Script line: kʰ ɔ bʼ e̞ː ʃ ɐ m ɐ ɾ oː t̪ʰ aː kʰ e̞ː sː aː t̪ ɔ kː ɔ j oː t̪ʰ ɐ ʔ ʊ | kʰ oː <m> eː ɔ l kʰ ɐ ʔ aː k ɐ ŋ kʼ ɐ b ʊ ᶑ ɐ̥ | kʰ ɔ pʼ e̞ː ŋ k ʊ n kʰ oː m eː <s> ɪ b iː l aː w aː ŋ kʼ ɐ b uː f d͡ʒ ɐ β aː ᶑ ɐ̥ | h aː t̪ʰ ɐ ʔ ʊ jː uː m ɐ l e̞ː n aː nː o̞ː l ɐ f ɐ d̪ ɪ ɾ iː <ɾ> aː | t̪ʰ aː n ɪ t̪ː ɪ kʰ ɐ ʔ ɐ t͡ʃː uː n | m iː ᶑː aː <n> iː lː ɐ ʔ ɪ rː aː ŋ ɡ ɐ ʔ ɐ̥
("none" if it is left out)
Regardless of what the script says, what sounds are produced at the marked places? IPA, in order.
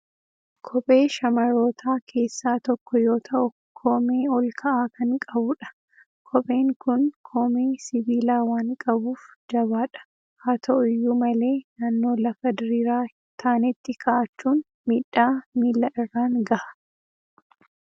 m, s, ɾ, m

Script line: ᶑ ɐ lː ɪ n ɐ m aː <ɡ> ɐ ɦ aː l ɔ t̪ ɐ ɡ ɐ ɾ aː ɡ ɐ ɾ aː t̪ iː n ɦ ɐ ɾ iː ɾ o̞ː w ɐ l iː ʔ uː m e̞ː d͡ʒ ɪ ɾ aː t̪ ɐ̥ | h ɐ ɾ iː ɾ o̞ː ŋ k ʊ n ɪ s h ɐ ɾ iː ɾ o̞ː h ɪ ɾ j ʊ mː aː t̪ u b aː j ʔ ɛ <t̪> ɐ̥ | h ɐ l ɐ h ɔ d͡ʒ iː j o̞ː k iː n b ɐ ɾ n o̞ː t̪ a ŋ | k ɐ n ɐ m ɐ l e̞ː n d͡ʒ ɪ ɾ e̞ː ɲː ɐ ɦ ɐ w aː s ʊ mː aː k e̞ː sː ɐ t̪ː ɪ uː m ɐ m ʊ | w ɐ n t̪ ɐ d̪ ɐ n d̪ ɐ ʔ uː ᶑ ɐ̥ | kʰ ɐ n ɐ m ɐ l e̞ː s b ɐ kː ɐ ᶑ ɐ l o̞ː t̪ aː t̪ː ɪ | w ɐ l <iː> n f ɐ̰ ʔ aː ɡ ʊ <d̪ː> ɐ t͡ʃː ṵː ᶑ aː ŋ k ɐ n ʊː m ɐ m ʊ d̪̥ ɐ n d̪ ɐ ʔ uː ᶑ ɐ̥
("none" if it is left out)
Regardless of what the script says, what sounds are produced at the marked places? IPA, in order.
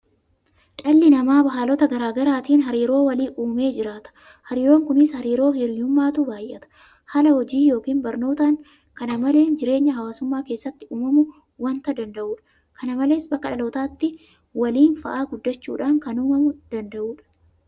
b, t̪, iː, d̪ː

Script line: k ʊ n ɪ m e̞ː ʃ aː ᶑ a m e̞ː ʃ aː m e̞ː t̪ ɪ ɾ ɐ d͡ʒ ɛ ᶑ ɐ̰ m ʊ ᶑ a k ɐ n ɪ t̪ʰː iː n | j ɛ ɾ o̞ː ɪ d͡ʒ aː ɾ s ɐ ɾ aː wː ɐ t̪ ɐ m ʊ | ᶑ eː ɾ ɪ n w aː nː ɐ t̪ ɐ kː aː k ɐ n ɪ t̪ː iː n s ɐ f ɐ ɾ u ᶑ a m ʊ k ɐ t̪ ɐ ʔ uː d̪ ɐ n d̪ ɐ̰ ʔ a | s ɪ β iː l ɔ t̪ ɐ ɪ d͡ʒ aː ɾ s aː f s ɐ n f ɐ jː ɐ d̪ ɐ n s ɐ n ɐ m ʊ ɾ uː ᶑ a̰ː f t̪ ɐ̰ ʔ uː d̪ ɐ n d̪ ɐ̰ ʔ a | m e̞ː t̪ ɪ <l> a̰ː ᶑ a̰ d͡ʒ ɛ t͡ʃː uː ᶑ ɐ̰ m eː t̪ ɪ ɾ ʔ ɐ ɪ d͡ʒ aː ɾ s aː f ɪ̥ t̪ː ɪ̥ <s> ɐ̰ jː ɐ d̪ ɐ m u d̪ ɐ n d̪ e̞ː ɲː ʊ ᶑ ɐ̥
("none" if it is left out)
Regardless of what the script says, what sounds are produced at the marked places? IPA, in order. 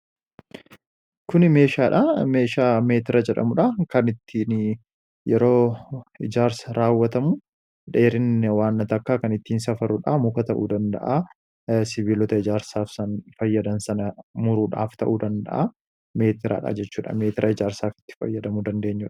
ɾ, f

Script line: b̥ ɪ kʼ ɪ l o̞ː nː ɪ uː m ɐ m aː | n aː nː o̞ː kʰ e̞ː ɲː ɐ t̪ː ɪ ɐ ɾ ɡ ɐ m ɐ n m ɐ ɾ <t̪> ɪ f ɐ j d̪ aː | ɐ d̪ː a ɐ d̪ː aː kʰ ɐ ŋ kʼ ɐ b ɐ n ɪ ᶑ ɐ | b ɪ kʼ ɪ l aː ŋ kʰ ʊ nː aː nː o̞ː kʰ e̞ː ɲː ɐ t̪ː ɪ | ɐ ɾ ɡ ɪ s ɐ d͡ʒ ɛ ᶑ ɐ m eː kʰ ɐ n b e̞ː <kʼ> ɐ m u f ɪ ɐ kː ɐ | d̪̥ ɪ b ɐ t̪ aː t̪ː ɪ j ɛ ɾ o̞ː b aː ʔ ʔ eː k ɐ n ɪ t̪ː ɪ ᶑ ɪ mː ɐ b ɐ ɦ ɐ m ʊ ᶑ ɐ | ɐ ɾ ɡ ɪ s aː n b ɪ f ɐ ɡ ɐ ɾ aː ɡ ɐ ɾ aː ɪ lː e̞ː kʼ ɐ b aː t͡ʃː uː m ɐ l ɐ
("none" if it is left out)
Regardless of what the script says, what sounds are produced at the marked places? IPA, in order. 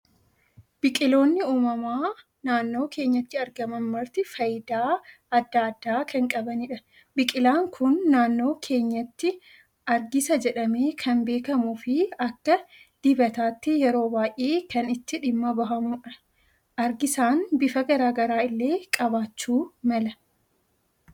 t̪, k

